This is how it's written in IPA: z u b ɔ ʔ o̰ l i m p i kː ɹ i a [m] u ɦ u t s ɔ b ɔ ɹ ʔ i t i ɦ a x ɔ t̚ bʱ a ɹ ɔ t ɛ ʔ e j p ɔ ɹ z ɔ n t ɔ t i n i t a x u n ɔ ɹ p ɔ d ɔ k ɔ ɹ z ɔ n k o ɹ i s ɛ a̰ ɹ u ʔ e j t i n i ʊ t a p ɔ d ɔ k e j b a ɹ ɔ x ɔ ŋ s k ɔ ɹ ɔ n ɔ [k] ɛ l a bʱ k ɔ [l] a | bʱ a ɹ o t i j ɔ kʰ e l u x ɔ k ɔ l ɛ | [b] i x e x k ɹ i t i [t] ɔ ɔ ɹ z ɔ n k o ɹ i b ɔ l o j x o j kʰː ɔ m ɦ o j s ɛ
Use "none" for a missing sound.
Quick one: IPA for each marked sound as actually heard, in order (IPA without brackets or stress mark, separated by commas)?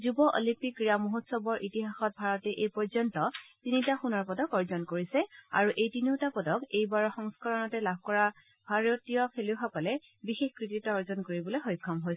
m, t, ɹ, b, t